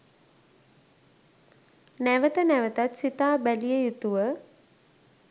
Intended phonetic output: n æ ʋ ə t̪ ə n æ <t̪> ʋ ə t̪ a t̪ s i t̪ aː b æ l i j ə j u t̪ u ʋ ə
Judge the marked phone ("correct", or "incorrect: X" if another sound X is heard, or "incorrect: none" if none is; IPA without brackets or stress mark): incorrect: none